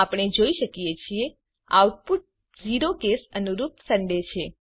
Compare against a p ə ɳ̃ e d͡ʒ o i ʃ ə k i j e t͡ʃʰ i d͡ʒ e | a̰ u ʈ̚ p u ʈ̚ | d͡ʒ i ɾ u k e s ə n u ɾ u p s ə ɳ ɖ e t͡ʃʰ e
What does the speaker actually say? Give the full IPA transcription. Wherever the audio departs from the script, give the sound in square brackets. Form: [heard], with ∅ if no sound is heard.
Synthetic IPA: a p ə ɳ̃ e d͡ʒ o i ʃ ə k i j e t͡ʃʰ i [∅] e | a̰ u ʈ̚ p u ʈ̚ | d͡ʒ i ɾ [o] k e s ə n u ɾ u p s ə ɳ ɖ e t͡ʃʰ e